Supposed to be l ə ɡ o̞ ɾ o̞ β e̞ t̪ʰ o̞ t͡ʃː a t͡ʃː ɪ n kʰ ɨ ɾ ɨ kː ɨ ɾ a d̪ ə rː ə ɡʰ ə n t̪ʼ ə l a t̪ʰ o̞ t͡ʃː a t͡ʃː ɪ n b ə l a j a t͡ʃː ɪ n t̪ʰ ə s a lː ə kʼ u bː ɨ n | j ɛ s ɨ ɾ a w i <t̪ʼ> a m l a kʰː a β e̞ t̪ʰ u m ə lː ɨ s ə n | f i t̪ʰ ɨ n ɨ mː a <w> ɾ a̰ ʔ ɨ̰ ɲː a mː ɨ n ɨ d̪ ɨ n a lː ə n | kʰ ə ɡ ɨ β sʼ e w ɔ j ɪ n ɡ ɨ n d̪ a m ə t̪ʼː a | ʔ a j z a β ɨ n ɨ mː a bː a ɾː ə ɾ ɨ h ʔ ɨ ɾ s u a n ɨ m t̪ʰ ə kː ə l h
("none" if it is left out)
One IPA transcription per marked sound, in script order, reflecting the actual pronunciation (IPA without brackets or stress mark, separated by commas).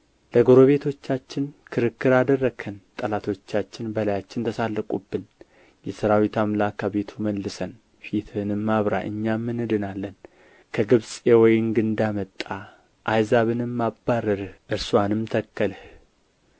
t̪, β